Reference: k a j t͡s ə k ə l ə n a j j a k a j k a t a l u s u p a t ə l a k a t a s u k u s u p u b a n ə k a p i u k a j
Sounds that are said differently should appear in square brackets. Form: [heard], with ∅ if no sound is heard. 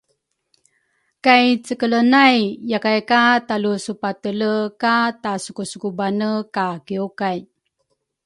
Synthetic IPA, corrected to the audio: k a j t͡s ə k ə l ə n a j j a k a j k a t a l u s u p a t ə l [ə] k a t a s u k u s u [k] u b a n ə k a [k] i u k a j